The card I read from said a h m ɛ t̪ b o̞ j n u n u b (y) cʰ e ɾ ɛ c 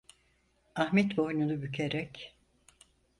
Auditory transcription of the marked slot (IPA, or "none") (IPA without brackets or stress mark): y